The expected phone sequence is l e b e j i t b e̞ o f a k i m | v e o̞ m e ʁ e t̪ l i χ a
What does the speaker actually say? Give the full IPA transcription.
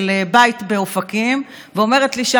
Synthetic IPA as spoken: l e b a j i t b e̞ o f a k i m | v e o̞ m e ʁ e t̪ l i ʃ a